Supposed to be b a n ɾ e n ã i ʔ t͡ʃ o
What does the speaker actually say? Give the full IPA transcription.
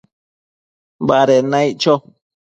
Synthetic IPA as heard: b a ɾ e n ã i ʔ t͡ʃ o